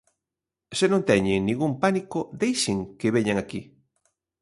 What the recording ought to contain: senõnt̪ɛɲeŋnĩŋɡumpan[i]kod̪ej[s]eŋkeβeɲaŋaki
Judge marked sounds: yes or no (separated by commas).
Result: yes, no